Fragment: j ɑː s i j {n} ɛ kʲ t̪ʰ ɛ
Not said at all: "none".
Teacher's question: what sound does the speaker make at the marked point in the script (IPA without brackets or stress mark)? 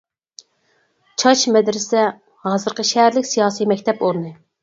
m